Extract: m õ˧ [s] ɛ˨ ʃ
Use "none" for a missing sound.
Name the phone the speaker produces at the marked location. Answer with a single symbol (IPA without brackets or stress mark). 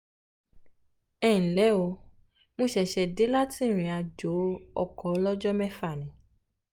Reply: ʃ